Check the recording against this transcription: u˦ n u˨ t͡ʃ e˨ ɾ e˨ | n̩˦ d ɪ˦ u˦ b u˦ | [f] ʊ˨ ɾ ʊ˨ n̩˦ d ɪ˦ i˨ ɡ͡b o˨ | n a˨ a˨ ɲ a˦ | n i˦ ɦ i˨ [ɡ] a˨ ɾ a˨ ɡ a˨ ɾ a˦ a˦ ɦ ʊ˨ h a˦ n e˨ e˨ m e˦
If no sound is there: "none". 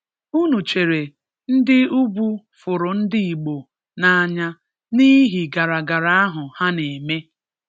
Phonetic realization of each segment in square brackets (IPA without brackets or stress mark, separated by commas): f, ɡ